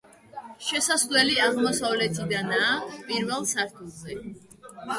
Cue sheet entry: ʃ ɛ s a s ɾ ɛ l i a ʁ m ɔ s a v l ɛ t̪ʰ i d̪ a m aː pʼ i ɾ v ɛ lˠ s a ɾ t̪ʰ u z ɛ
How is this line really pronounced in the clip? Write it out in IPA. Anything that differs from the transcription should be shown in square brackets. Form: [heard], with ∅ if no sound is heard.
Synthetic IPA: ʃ ɛ s a s [l] ɛ l i a ʁ m ɔ s a v l ɛ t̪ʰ i d̪ a [n] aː pʼ i ɾ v ɛ lˠ s a ɾ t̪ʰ u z ɛ